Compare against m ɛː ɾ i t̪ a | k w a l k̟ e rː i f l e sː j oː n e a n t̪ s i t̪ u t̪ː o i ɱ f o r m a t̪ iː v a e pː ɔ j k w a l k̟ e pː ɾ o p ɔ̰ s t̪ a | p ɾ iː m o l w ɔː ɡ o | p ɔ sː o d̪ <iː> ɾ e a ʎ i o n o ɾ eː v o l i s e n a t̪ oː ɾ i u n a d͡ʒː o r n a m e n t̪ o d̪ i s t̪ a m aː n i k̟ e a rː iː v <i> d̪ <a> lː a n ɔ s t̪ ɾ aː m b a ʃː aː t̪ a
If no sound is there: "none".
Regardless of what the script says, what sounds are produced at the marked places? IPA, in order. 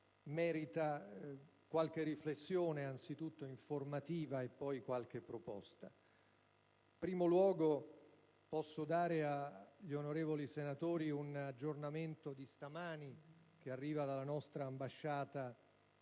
aː, a, a

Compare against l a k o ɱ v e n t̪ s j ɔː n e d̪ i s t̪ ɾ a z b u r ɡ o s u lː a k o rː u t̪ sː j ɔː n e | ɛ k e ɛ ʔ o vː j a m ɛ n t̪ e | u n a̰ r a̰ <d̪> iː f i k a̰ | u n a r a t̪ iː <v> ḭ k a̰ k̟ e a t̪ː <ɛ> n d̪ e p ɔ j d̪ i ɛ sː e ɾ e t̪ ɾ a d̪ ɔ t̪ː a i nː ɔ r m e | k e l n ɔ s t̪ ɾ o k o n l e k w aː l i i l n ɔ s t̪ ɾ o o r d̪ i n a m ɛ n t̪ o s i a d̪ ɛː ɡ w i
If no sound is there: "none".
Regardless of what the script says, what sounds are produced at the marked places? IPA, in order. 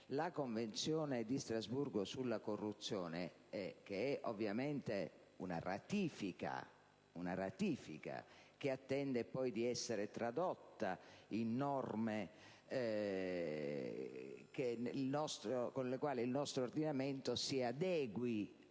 t̪, f, ɛ

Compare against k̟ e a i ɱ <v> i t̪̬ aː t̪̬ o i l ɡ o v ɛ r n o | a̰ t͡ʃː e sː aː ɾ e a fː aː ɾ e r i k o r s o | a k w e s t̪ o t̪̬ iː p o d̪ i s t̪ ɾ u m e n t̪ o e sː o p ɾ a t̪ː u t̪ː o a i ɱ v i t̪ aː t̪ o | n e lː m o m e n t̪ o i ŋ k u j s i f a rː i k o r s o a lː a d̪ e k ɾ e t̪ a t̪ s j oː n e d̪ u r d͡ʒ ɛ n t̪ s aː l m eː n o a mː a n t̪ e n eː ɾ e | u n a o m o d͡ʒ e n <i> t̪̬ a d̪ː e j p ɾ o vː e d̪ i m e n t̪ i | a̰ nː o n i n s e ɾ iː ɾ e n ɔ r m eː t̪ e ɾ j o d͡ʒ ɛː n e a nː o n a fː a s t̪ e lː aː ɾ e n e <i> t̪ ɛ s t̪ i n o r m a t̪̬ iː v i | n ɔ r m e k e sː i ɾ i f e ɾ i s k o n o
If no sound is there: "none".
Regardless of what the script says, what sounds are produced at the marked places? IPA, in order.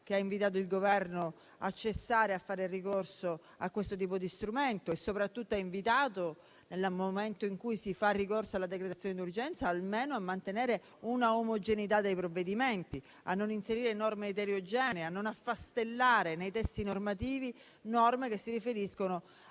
v, i, j

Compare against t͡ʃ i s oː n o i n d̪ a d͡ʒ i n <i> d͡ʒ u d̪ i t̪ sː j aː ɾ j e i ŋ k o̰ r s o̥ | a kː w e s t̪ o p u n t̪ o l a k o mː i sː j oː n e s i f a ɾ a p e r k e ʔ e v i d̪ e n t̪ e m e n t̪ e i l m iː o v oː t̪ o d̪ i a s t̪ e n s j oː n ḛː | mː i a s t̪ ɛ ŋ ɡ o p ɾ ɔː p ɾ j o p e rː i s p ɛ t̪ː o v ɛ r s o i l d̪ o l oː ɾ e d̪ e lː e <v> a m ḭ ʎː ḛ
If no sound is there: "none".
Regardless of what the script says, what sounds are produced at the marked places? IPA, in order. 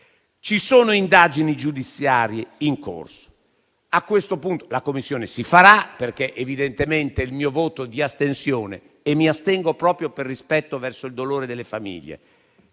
i, f

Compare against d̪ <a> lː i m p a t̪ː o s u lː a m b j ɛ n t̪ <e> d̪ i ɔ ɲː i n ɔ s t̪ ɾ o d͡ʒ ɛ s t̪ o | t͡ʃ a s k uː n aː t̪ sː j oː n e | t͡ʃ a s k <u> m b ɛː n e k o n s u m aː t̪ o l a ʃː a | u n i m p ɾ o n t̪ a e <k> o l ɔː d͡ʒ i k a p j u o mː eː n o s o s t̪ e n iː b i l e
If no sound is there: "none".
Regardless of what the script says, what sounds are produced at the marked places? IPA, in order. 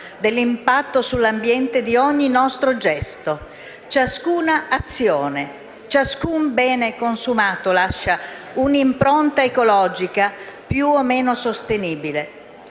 e, e, u, k

